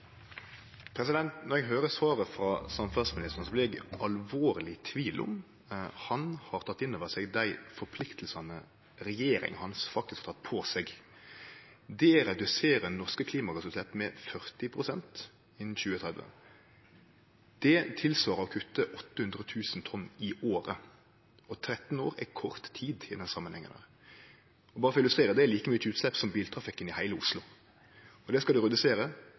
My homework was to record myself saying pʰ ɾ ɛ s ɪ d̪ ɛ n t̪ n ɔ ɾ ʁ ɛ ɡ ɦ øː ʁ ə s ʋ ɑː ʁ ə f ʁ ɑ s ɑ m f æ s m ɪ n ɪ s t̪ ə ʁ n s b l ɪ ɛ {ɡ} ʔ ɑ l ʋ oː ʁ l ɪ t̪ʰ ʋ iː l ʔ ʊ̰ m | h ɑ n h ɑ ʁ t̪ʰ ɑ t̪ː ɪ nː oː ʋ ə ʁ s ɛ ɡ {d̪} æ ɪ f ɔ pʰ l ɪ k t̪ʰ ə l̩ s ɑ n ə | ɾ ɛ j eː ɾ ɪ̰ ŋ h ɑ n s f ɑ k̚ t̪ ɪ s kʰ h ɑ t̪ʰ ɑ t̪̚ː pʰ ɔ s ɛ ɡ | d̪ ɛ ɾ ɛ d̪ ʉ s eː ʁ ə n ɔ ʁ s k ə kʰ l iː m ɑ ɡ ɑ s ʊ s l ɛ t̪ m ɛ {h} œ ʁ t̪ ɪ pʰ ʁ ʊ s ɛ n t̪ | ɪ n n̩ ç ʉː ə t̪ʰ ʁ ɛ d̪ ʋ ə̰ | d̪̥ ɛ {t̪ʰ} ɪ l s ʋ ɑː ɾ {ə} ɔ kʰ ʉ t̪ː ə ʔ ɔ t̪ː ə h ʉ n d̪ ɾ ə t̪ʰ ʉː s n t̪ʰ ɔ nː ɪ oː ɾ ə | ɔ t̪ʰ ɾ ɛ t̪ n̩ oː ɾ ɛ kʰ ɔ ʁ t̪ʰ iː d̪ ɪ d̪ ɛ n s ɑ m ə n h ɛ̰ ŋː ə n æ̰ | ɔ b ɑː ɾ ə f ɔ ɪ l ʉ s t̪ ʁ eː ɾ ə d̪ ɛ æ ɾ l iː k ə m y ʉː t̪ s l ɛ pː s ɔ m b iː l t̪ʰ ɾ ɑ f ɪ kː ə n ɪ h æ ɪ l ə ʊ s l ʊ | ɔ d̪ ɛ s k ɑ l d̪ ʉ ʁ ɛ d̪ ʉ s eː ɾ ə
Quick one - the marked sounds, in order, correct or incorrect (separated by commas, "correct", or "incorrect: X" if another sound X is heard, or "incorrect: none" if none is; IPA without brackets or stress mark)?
correct, correct, incorrect: f, correct, correct